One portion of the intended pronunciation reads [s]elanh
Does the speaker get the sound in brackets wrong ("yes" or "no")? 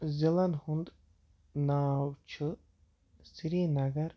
yes